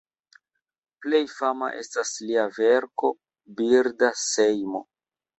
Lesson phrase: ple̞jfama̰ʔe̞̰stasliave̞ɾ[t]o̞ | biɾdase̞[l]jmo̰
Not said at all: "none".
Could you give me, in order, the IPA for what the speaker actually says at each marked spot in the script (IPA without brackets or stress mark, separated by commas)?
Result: k, none